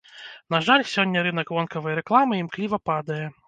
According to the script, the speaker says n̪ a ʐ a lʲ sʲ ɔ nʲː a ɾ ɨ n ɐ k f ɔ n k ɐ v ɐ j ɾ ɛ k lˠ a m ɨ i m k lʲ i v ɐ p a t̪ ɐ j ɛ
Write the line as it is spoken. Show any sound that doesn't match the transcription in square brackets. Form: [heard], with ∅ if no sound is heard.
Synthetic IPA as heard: n̪ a ʐ a lʲ sʲ ɔ nʲː [ɐ] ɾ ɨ n ɐ k [v] ɔ n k ɐ v ɐ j ɾ ɛ k lˠ a m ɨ i m k lʲ i v ɐ p a [d̪] ɐ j ɛ